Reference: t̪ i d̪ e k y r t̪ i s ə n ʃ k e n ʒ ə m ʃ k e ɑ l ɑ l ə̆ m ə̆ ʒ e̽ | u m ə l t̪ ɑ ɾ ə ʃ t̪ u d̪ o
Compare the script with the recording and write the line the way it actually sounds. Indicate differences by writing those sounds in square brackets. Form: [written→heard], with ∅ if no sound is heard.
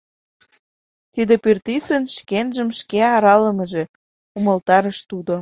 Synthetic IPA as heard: t̪ i d̪ e [k→p] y r t̪ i s ə n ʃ k e n ʒ ə m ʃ k e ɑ [l→ɾ] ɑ l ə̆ m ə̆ ʒ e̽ | u m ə l t̪ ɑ ɾ ə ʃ t̪ u d̪ o